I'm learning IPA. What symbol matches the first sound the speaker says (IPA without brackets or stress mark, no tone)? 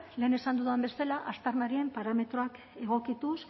l